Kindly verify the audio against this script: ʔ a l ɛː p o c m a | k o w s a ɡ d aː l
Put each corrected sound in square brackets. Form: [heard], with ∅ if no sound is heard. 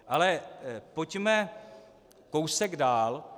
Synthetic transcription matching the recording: ʔ a l [ɛ] p o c m [ɛ] | k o w s [ɛ] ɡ d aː l